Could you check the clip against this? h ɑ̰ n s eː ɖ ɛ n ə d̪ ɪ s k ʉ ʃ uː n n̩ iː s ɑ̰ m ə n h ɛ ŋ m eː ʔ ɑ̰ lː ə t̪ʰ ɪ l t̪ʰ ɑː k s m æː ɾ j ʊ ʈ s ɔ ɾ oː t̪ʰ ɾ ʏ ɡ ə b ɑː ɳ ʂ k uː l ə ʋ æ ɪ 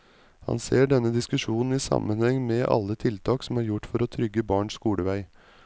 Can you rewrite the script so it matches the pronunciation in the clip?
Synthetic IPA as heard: h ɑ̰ n s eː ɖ ɛ n ə d̪ ɪ s k ʉ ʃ uː n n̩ iː s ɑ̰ m ə n h ɛ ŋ m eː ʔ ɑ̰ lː ə t̪ʰ ɪ l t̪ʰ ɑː k s m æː ɾ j ʊ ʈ f ɔ ɾ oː t̪ʰ ɾ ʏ ɡ ə b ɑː ɳ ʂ k uː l ə ʋ æ ɪ